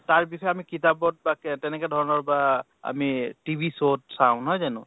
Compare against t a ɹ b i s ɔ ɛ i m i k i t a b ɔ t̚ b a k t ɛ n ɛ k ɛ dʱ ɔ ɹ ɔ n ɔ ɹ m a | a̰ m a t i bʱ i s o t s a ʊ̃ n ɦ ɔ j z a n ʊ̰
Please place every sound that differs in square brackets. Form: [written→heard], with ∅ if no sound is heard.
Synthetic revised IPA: t a ɹ b i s ɔ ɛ [i→a] m i k i t a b ɔ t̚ b a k t ɛ n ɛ k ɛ dʱ ɔ ɹ ɔ n ɔ ɹ [m→b] a | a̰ m [a→i] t i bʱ i s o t s a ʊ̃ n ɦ ɔ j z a n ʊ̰